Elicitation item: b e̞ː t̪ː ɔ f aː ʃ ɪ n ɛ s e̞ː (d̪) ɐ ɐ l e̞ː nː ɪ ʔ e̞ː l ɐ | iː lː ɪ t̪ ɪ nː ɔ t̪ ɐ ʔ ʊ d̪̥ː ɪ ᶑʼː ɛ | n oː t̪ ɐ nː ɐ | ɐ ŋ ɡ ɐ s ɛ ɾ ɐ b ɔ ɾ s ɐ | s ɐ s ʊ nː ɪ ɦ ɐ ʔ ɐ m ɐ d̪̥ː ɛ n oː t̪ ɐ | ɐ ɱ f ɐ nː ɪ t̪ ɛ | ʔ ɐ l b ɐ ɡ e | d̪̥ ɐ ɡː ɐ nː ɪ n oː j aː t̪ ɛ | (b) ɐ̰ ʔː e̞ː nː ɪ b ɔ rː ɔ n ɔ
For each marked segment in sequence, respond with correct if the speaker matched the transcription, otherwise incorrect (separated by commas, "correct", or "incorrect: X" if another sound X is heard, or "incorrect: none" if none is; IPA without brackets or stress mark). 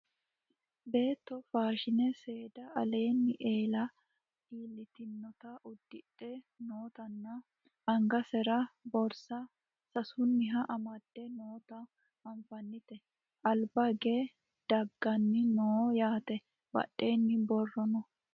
correct, correct